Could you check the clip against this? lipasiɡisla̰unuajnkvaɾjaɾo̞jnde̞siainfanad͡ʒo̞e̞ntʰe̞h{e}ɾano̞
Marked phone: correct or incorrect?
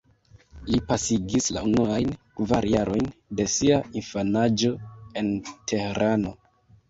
correct